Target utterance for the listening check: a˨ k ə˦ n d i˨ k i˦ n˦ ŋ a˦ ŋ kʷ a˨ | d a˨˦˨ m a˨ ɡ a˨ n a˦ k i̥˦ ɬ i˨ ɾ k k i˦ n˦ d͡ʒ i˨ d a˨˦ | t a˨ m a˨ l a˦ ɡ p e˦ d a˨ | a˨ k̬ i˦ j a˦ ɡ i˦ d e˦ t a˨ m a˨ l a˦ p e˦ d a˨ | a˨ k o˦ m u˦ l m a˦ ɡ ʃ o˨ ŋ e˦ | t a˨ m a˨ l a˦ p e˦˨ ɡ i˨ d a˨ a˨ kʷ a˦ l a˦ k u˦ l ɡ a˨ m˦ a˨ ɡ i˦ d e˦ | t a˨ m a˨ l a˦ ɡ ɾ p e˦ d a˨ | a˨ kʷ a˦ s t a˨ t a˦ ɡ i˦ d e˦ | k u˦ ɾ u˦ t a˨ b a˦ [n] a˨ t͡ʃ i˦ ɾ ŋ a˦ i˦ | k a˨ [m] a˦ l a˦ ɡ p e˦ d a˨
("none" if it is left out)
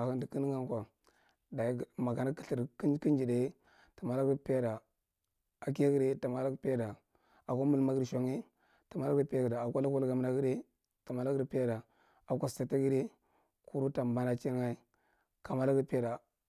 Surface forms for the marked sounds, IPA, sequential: n, m

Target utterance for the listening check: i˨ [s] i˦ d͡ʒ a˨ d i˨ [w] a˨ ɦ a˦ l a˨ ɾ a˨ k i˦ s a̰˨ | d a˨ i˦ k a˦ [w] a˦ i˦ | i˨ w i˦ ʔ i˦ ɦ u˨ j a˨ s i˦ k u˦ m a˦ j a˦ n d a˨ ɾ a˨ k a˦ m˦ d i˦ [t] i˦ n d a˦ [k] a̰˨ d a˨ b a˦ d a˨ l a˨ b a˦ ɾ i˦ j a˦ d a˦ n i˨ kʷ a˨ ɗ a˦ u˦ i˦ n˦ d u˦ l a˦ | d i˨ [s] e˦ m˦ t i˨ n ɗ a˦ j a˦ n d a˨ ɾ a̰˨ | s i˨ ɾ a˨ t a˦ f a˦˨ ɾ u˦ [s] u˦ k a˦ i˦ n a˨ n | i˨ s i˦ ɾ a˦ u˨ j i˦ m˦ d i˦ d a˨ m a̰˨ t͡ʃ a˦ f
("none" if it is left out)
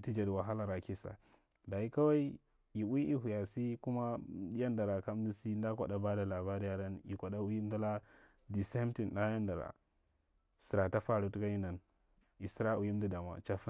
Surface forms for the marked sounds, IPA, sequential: t, w, w, s, k, s, t

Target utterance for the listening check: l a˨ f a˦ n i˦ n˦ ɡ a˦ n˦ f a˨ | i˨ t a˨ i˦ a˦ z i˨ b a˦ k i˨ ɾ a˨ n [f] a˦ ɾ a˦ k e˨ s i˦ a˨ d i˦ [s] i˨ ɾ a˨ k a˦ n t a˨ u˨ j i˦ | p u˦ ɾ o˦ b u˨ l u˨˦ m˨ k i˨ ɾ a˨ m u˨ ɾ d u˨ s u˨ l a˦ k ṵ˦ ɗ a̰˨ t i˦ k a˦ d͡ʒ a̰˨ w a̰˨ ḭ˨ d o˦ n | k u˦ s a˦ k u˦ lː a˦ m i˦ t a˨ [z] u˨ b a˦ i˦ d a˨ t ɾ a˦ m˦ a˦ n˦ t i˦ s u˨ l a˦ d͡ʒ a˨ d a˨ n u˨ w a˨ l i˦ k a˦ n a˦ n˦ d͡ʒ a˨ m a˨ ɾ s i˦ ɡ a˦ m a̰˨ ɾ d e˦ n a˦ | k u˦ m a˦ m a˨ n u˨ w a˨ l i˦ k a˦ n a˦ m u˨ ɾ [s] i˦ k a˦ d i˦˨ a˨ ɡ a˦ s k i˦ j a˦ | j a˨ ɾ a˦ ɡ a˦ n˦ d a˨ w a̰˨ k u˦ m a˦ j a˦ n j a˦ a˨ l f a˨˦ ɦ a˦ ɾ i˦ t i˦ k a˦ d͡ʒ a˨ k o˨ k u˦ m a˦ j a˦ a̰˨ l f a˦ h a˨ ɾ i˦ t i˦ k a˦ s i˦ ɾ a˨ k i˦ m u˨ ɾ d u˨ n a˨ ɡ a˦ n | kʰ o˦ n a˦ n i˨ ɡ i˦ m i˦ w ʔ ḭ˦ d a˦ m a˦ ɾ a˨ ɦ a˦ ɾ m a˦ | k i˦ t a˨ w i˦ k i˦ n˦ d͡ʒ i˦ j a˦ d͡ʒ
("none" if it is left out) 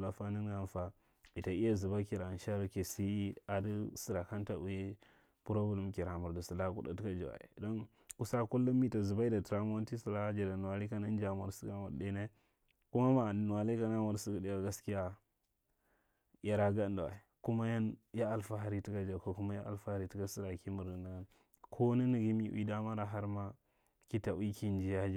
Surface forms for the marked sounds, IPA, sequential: ʃ, s, z, s

